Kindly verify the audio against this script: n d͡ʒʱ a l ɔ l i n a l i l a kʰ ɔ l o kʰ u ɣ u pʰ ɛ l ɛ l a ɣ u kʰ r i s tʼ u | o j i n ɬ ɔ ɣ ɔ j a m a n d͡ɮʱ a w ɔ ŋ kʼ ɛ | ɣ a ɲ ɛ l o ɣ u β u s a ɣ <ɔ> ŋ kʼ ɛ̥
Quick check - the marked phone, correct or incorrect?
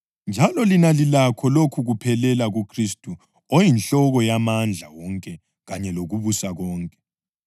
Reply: incorrect: ɔː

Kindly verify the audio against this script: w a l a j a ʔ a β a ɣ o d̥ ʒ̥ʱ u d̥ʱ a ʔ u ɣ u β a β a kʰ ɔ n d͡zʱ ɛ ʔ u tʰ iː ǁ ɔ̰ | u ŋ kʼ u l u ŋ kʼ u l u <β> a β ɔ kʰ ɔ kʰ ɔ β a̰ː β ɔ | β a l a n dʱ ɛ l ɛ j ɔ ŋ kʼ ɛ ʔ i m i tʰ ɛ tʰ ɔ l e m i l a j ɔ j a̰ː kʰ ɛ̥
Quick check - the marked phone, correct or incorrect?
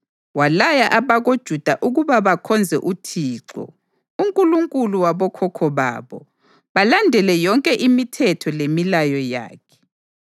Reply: incorrect: w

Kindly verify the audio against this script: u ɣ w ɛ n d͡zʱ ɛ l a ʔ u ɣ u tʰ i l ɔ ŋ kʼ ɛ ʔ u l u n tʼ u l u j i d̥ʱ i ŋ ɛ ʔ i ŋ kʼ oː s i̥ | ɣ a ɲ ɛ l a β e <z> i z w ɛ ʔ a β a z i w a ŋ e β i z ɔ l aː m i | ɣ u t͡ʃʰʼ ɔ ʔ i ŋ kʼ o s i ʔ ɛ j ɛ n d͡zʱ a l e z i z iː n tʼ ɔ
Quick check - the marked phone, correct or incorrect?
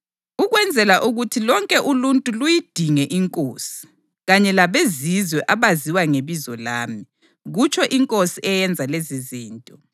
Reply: correct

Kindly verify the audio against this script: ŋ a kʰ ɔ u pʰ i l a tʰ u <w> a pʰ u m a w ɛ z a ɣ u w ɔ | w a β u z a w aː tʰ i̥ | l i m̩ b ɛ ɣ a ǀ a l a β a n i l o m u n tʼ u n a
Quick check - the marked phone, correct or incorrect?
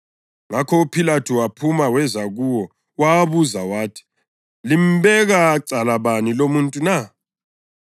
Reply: correct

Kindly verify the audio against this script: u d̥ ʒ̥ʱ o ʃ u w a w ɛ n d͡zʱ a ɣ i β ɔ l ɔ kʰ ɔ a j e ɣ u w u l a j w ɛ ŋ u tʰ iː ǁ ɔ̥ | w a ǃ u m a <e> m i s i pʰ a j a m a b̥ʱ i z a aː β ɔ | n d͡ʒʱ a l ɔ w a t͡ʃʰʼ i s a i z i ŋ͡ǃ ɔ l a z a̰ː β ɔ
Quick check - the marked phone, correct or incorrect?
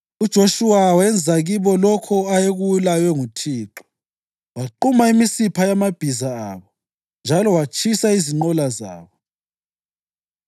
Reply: incorrect: i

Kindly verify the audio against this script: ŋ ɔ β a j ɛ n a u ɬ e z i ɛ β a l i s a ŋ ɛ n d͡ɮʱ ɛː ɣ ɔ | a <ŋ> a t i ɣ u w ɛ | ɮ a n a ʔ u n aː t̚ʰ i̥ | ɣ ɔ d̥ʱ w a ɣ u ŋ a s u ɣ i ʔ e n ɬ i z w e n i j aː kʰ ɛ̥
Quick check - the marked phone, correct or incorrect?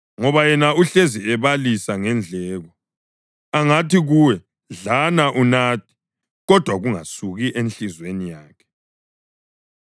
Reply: correct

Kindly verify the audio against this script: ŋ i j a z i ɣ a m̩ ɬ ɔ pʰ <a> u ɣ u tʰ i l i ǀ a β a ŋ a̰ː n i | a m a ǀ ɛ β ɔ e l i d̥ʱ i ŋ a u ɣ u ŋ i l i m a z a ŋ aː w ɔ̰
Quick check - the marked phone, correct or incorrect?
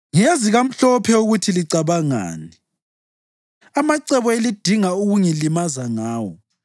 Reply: incorrect: ɛ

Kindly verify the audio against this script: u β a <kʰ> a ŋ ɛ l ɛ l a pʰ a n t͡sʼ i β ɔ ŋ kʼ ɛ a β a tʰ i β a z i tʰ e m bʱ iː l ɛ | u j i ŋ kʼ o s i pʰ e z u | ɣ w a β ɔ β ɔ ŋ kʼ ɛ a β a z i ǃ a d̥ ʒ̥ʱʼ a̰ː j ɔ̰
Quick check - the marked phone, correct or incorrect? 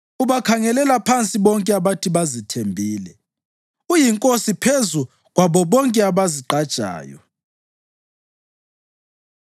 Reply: correct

